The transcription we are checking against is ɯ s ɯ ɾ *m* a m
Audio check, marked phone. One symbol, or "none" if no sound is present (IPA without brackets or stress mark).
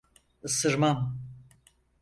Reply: m